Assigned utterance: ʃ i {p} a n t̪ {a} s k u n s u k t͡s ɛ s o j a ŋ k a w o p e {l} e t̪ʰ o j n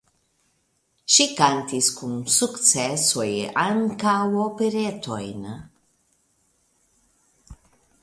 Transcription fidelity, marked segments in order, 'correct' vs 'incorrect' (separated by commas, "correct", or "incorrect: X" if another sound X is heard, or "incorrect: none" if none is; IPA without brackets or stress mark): incorrect: k, incorrect: i, incorrect: ɾ